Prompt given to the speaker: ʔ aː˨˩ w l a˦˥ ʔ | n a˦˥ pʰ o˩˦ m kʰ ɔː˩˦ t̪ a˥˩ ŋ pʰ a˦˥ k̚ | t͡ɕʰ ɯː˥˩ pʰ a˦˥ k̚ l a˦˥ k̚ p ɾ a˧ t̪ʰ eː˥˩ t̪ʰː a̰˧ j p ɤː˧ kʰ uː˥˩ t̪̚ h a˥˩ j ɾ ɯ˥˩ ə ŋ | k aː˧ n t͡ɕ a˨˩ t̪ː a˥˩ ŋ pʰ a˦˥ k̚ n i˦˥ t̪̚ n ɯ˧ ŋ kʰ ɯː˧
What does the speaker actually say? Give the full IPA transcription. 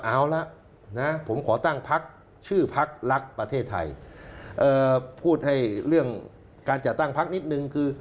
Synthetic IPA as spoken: ʔ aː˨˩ w l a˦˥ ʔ | n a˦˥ pʰ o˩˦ m kʰ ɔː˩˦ t̪ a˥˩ ŋ pʰ a˦˥ k̚ | t͡ɕʰ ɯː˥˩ pʰ a˦˥ k̚ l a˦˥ k̚ p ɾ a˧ t̪ʰ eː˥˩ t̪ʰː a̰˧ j ʔ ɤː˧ pʰ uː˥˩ t̪̚ h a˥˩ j ɾ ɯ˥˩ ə ŋ | k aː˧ n t͡ɕ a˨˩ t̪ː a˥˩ ŋ pʰ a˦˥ k̚ n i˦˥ t̪̚ n ɯ˧ ŋ kʰ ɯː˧

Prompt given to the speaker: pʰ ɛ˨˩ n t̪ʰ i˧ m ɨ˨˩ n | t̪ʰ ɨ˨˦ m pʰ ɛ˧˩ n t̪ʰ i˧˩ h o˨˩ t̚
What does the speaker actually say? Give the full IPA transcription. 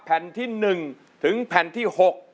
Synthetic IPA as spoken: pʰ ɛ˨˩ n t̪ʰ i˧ n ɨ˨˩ ŋ | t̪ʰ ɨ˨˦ ŋ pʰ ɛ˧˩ n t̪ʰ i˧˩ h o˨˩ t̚

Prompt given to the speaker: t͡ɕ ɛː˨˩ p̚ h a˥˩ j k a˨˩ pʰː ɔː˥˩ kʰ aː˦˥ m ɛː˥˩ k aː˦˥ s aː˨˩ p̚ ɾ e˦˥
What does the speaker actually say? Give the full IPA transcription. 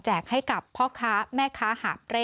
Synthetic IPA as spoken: t͡ɕ ɛː˨˩ k̚ h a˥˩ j k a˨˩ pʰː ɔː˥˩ kʰ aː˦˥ m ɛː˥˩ kʰ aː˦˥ h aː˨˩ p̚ ɾ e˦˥

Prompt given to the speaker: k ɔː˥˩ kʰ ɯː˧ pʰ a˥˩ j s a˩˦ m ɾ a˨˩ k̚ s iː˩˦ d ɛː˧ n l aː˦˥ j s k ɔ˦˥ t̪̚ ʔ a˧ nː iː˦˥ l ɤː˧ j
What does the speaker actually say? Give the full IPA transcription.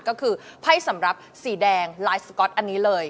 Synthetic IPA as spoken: k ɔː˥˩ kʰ ɯː˧ pʰ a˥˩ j s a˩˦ m ɾ a˨˩ p̚ s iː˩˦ d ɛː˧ ŋ l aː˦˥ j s k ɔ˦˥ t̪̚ ʔ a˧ nː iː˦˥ l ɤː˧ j

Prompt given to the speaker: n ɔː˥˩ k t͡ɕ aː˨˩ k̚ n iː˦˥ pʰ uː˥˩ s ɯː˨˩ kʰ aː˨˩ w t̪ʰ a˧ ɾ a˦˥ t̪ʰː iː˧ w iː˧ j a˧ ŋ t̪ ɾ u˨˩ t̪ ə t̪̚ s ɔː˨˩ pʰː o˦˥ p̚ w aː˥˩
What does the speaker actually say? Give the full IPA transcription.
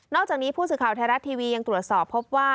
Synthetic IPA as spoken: n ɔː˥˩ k t͡ɕ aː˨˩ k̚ n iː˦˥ pʰ uː˥˩ s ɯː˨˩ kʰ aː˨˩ w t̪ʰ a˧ ɾ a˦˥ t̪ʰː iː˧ w iː˧ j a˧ ŋ t̪ ɾ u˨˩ ə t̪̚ s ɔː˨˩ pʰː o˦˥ p̚ w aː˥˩

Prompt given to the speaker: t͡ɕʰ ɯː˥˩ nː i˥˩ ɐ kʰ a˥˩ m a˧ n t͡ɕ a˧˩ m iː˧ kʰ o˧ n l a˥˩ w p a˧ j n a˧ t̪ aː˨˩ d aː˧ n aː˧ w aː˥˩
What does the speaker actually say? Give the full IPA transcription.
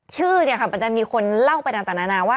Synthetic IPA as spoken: t͡ɕʰ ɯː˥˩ n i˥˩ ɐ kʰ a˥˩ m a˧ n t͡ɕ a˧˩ m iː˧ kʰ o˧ n l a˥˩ w p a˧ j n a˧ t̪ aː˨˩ n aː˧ n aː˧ w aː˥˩

